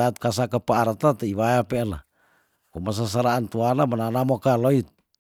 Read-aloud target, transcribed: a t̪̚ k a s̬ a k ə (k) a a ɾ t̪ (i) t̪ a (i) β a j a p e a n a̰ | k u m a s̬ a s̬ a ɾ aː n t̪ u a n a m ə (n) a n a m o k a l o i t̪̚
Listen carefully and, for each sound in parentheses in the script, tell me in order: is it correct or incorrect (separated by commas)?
incorrect, incorrect, correct, correct